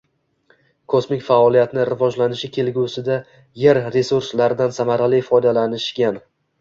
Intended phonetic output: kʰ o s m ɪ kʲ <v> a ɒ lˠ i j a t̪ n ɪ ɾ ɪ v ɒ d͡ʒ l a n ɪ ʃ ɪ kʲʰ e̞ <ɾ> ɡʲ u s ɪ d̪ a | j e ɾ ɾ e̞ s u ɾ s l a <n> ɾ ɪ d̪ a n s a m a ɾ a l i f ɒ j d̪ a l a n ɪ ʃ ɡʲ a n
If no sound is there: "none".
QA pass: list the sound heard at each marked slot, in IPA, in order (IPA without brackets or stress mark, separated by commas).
f, l, none